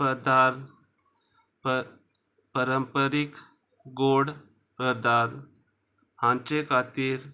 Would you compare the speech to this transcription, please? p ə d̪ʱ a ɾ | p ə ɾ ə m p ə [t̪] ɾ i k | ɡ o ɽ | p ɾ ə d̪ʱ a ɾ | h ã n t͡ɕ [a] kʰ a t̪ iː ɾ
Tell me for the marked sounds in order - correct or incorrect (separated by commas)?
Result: incorrect, incorrect